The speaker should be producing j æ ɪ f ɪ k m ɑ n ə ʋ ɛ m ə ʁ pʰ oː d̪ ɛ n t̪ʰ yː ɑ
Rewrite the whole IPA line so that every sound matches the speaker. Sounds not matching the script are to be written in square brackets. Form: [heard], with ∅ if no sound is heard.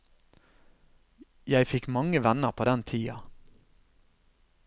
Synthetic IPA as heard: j æ ɪ f ɪ k m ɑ [ŋ] ə ʋ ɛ [n] ə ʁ pʰ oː d̪ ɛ n t̪ʰ [iː] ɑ